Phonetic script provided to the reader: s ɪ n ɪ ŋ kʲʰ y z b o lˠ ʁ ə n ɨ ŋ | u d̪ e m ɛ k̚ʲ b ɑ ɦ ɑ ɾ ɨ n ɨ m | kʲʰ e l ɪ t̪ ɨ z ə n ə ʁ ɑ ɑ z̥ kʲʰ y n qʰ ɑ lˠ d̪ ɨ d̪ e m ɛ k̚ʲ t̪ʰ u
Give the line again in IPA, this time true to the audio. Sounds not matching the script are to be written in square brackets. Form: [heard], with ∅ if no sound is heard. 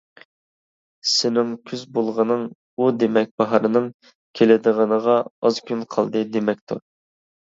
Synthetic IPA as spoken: s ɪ n ɪ ŋ kʲʰ y z b o lˠ ʁ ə n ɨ ŋ | u d̪ e m ɛ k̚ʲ b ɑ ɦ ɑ ɾ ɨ n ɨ [ŋ] | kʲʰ e l ɪ [d̪] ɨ [ʁ] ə n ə ʁ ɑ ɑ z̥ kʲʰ y n qʰ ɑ lˠ d̪ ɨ d̪ e m ɛ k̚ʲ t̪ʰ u